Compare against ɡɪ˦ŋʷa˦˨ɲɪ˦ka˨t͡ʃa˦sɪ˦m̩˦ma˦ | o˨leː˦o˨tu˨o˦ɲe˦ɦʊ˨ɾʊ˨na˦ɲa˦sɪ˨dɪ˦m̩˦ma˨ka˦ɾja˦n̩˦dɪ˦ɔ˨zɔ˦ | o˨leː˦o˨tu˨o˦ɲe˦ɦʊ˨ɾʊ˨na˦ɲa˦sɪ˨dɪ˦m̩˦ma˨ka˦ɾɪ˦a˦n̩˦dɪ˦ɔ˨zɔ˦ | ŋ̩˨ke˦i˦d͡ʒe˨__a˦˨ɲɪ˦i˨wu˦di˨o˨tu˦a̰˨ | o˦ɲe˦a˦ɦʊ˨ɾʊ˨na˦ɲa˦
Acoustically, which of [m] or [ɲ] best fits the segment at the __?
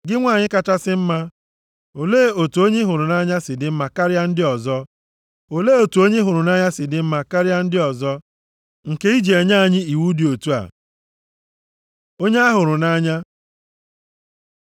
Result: ɲ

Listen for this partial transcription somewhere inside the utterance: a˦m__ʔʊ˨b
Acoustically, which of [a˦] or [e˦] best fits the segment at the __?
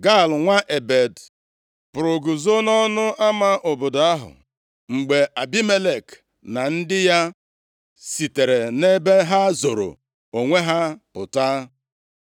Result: a˦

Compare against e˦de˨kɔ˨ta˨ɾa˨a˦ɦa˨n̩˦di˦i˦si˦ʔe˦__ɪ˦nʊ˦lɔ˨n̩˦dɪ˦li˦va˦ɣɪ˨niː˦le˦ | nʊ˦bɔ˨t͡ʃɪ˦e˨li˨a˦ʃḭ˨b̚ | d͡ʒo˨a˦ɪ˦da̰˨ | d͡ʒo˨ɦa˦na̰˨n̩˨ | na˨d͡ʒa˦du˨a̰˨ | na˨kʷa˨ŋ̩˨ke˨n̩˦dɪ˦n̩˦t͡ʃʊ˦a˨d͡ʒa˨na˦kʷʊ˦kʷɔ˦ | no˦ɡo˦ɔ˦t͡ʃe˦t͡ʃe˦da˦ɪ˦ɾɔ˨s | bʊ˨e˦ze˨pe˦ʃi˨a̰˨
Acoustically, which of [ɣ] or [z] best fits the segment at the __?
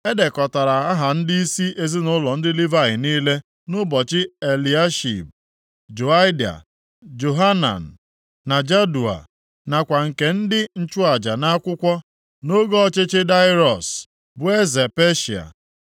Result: z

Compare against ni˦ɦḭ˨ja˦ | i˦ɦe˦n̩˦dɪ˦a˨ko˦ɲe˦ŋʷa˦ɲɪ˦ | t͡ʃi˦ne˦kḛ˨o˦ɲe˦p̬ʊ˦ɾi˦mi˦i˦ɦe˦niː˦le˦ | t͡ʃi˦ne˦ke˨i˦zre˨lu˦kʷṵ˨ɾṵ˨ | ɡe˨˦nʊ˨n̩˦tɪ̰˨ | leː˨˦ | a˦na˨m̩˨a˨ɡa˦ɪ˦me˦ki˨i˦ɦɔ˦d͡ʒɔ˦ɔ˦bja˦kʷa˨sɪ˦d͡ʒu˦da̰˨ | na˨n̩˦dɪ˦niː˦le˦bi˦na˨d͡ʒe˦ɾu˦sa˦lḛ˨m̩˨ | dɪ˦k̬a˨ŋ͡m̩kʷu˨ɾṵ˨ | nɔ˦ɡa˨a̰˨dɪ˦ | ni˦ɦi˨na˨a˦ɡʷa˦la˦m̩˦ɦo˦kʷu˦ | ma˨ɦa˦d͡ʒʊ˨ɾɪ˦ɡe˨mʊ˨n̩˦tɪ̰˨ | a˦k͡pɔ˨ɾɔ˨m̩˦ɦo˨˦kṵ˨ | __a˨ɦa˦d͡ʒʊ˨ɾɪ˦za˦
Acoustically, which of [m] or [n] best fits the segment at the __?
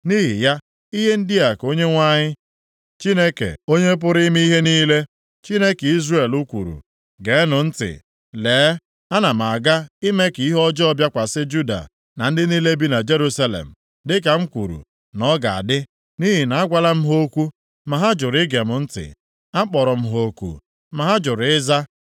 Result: m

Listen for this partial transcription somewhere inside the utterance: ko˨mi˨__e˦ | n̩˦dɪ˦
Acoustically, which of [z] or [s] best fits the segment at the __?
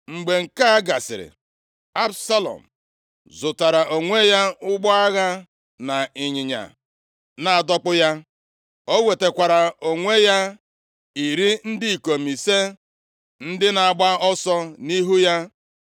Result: s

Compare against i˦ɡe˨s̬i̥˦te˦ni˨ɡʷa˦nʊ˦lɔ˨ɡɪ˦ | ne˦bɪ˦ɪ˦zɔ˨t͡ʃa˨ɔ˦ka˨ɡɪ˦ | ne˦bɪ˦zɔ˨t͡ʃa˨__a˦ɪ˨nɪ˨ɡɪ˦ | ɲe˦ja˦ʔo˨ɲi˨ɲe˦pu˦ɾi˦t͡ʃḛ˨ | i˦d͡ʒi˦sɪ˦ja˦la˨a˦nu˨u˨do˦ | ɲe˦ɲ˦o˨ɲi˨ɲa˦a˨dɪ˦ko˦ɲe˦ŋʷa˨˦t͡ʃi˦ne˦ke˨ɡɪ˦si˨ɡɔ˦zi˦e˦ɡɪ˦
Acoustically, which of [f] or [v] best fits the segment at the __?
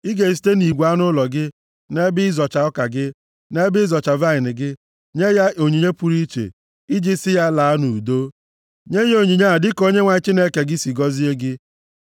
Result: v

